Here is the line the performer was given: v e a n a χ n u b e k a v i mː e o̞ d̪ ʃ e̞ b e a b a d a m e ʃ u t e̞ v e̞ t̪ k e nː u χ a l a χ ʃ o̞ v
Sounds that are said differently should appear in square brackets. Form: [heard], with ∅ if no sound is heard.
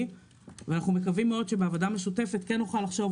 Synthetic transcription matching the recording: v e a n a χ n u [m] e k a v i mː e o̞ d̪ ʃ e̞ b e a [v] a d a m e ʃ u t e̞ [f] e̞ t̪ k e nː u χ a l a χ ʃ o̞ v